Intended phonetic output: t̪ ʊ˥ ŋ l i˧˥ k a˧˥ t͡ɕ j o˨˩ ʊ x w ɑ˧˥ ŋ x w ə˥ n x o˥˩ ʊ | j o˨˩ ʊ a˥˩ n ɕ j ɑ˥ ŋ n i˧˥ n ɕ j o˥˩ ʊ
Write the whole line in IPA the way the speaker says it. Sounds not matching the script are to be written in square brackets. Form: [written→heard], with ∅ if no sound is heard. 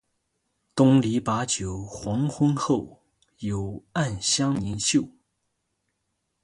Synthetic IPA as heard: t̪ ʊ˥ ŋ l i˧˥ [k→p] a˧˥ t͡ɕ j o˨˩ ʊ x w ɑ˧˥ ŋ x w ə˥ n x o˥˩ ʊ | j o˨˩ ʊ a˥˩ n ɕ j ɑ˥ ŋ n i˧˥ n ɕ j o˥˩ ʊ

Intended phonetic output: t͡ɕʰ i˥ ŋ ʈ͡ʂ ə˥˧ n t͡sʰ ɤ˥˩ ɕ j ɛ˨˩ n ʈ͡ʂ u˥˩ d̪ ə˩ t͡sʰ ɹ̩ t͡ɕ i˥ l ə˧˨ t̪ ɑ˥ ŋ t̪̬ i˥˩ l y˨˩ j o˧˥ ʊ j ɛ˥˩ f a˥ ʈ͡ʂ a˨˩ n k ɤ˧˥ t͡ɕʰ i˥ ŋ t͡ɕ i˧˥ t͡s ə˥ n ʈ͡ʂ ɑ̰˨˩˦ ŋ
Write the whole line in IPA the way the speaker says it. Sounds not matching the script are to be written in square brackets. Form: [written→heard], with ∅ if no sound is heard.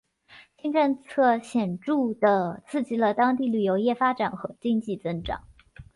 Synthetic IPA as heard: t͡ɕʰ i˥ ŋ ʈ͡ʂ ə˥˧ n t͡sʰ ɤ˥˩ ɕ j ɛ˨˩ n ʈ͡ʂ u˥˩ d̪ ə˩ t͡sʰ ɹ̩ t͡ɕ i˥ l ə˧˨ t̪ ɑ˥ ŋ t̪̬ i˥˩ l y˨˩ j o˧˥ ʊ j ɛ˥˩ f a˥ ʈ͡ʂ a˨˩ n [k→x] ɤ˧˥ [t͡ɕʰ→t͡ɕ] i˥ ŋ t͡ɕ [i˧˥→i˥˩] t͡s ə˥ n ʈ͡ʂ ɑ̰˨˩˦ ŋ

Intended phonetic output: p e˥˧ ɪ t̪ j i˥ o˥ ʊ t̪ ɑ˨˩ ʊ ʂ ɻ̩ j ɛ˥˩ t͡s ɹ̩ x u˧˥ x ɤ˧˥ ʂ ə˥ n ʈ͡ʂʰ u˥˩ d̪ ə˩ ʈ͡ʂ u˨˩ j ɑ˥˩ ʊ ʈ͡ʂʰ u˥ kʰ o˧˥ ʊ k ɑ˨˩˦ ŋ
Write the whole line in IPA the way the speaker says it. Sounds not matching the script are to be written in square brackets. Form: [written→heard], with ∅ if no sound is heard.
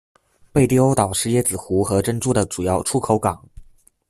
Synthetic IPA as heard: p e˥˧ ɪ t̪ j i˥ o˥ ʊ t̪ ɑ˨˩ ʊ ʂ ɻ̩ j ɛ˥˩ t͡s ɹ̩ x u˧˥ x ɤ˧˥ [ʂ→ʈ͡ʂ] ə˥ n [ʈ͡ʂʰ→ʈ͡ʂ] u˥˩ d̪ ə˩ ʈ͡ʂ u˨˩ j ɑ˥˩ ʊ ʈ͡ʂʰ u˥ kʰ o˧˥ ʊ k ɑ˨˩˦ ŋ

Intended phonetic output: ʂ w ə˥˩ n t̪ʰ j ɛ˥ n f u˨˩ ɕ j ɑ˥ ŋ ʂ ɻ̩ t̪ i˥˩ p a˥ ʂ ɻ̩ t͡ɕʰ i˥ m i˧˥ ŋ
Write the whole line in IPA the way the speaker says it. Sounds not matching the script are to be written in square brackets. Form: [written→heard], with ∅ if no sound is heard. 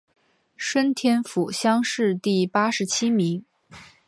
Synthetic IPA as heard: ʂ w [ə˥˩→ə˥] n t̪ʰ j ɛ˥ n f u˨˩ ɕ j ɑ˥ ŋ ʂ ɻ̩ t̪ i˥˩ p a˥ ʂ ɻ̩ t͡ɕʰ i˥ m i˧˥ ŋ

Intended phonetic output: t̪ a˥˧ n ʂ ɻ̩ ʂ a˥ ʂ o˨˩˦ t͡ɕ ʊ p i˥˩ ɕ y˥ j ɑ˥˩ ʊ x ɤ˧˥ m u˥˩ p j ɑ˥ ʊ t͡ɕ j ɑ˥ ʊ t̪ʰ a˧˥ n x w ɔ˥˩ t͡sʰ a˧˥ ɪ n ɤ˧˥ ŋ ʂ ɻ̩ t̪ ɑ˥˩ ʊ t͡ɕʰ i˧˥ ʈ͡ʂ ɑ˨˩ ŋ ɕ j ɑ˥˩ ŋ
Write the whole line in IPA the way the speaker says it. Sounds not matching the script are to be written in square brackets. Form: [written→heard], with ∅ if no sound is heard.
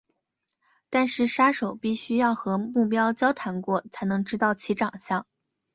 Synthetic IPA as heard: t̪ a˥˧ n ʂ ɻ̩ ʂ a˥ ʂ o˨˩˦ [t͡ɕ→∅] ʊ p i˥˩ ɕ y˥ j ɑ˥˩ ʊ x ɤ˧˥ m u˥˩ p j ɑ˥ ʊ t͡ɕ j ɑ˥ ʊ t̪ʰ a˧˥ n [x→k] w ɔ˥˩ t͡sʰ a˧˥ ɪ n ɤ˧˥ ŋ [ʂ→ʈ͡ʂ] ɻ̩ t̪ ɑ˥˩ ʊ t͡ɕʰ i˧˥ ʈ͡ʂ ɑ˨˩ ŋ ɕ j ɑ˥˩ ŋ

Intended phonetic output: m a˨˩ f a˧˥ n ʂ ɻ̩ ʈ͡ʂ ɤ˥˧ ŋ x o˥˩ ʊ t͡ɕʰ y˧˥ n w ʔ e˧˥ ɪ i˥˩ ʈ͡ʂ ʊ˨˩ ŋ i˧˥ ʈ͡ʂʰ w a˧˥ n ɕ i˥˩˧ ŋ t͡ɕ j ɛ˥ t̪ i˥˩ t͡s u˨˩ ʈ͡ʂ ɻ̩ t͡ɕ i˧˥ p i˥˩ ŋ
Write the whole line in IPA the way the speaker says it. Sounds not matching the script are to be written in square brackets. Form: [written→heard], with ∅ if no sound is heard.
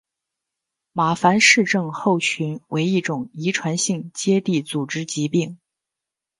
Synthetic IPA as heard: m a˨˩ f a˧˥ n ʂ ɻ̩ ʈ͡ʂ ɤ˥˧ ŋ x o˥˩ ʊ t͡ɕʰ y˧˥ n w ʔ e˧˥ ɪ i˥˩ ʈ͡ʂ ʊ˨˩ ŋ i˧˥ ʈ͡ʂʰ w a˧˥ n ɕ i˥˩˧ ŋ t͡ɕ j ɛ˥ t̪ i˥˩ t͡s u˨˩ ʈ͡ʂ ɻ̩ t͡ɕ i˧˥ p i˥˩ ŋ

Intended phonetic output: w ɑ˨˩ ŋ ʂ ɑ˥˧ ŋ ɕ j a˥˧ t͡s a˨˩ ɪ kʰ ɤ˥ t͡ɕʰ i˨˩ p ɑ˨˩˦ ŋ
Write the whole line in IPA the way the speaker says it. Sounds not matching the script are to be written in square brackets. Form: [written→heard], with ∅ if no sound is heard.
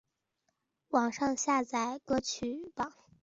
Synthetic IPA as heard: w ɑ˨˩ ŋ ʂ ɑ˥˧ ŋ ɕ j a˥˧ t͡s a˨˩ ɪ [kʰ→k] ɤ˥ t͡ɕʰ [i˨˩→y˨˩] p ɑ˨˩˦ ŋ

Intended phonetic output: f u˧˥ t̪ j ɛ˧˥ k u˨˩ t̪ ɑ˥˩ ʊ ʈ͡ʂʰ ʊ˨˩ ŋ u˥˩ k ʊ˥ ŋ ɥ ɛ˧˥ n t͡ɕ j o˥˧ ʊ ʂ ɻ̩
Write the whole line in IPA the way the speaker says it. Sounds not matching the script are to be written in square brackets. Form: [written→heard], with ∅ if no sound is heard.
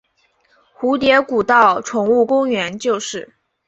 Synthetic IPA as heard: [f→x] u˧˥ t̪ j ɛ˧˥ k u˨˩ t̪ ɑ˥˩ ʊ ʈ͡ʂʰ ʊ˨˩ ŋ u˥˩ k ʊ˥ ŋ ɥ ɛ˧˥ n t͡ɕ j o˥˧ ʊ ʂ ɻ̩

